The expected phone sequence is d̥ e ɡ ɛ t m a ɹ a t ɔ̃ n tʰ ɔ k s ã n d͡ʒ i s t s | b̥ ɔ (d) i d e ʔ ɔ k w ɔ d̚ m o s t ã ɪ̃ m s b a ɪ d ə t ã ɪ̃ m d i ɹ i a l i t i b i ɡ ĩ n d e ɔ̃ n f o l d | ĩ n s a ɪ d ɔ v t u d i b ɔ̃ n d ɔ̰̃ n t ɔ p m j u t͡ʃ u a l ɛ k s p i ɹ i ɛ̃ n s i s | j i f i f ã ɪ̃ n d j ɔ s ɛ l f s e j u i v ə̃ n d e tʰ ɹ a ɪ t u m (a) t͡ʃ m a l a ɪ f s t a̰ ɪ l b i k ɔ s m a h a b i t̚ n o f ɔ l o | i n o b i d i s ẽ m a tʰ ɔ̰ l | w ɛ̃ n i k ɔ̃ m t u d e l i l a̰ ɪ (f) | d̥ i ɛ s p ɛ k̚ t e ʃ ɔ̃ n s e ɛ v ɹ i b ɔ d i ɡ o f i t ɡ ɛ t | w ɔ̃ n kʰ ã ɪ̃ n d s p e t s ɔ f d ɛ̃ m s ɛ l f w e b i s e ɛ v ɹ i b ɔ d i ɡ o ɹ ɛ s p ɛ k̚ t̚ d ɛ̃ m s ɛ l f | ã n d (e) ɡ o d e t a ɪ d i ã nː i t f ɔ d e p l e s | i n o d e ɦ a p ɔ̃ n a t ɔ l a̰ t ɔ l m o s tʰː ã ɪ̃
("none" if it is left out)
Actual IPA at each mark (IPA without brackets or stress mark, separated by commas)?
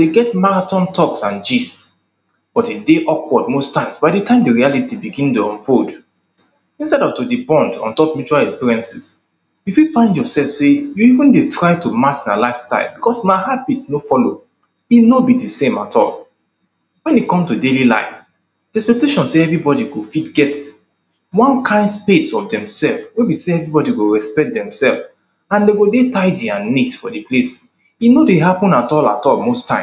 t, a, f, e